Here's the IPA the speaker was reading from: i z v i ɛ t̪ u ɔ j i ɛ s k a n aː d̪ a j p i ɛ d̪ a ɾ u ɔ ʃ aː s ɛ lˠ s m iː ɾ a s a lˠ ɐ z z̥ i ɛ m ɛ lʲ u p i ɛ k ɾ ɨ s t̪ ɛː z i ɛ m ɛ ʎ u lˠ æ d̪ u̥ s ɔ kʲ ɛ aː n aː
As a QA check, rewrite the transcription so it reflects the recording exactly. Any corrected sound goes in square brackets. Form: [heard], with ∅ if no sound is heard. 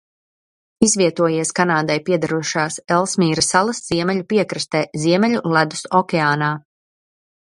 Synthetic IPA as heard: i z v i ɛ t̪ u ɔ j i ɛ s k a n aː d̪ a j p i ɛ d̪ a ɾ u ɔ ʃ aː s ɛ lˠ s m iː ɾ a s a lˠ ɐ [s] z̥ i ɛ m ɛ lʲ u p i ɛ k ɾ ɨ s t̪ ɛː z i ɛ m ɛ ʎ u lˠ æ d̪ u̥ s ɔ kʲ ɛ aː n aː